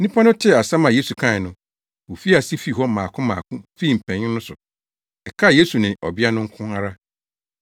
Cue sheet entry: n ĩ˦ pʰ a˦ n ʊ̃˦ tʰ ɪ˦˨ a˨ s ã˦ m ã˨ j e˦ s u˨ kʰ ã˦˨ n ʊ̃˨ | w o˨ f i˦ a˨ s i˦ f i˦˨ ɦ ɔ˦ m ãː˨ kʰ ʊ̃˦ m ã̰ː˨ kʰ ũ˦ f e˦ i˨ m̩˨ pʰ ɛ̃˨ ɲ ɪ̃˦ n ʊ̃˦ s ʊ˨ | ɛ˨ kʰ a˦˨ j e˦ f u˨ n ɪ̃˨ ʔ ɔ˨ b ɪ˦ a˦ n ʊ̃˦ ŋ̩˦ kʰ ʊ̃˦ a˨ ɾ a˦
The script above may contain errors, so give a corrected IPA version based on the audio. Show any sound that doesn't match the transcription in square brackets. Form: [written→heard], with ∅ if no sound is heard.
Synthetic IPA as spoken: n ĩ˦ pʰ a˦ n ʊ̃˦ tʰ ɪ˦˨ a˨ s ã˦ m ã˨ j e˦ s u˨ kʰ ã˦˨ n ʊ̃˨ | w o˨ f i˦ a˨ s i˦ f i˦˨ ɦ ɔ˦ m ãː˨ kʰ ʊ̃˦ m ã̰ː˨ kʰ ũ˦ f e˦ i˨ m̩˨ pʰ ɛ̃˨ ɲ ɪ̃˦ n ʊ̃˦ s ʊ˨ | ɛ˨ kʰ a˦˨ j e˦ [f→s] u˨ n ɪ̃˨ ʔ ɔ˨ b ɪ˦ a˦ n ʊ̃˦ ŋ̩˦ kʰ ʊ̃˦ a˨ ɾ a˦